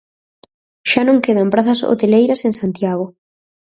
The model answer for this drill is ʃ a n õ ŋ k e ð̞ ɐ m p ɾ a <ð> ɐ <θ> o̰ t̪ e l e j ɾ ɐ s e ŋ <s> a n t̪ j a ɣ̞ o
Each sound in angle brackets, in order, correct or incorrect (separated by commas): incorrect, incorrect, correct